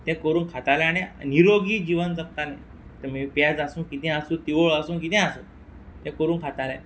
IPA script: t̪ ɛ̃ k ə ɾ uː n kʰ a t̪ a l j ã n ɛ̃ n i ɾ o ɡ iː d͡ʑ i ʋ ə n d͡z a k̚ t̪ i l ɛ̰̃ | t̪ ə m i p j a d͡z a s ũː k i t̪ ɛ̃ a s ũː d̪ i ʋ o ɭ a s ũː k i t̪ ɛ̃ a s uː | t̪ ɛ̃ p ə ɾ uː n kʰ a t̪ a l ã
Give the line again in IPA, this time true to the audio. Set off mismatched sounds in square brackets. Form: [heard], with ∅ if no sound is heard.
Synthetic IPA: t̪ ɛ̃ k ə ɾ uː n kʰ a t̪ a l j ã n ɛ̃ n i ɾ o ɡ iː d͡ʑ i ʋ ə n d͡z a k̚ t̪ [a] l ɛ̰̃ | t̪ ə m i p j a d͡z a s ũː k i t̪ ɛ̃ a s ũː [t̪] i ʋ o ɭ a s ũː k i t̪ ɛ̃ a s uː | t̪ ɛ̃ [k] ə ɾ uː n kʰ a t̪ a l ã